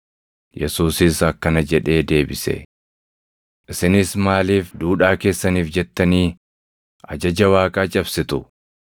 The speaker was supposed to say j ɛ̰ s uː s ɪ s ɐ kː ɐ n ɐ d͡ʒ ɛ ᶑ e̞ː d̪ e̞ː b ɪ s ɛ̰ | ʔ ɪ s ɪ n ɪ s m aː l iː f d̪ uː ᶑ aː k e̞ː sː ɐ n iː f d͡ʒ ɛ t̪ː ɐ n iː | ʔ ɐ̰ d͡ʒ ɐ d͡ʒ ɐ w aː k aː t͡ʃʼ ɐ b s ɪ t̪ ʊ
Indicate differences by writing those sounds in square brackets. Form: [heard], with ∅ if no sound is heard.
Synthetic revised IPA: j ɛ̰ s uː s ɪ s ɐ kː ɐ n ɐ d͡ʒ ɛ ᶑ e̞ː d̪ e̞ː b ɪ s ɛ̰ | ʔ ɪ s ɪ n ɪ s m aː l iː f d̪ uː ᶑ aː k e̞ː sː ɐ n iː f d͡ʒ ɛ t̪ː ɐ n iː | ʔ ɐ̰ d͡ʒ ɐ d͡ʒ ɐ w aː [kʼ] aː t͡ʃʼ ɐ b s ɪ t̪ ʊ